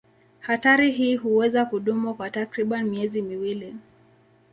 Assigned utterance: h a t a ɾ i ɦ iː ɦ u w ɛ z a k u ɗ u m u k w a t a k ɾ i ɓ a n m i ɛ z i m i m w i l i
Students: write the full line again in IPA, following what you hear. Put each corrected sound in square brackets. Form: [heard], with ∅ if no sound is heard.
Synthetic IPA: h a t a ɾ i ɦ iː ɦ u w ɛ z a k u ɗ u m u k w a t a k ɾ i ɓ a n m i ɛ z i m i [∅] w i l i